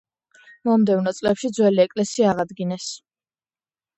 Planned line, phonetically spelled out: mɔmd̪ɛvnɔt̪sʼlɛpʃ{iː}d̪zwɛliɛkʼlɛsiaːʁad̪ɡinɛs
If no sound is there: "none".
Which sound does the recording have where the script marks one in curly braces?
i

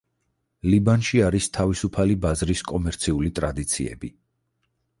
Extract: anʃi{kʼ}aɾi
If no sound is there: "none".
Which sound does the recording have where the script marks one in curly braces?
none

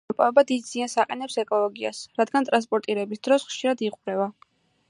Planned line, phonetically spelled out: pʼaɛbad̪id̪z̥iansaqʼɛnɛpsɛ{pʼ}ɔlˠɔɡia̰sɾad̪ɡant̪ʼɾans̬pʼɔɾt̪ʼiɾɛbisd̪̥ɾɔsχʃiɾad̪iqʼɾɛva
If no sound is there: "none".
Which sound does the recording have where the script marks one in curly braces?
kʼ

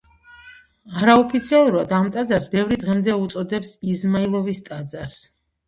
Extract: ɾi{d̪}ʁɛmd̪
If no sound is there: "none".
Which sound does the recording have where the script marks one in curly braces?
d̪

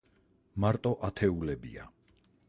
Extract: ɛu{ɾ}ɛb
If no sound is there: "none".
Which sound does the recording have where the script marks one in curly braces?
l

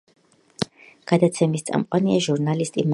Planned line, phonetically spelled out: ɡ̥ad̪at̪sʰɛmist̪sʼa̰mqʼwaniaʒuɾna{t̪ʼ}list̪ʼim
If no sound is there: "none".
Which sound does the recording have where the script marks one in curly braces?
none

